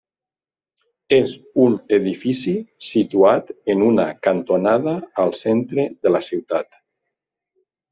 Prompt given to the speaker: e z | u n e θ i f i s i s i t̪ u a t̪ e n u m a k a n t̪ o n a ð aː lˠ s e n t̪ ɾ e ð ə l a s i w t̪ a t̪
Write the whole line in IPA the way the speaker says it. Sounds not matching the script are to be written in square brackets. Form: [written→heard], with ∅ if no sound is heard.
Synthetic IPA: e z | u n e [θ→ð] i f i s i s i t̪ u a t̪ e n u [m→n] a k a n t̪ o n a ð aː lˠ s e n t̪ ɾ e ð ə l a s i w t̪ a t̪